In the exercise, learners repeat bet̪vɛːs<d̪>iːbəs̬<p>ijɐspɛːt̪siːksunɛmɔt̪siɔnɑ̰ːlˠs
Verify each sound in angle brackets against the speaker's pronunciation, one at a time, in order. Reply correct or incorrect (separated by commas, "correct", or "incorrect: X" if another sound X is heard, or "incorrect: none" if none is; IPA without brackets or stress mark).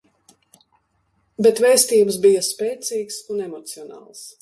incorrect: t̪, incorrect: b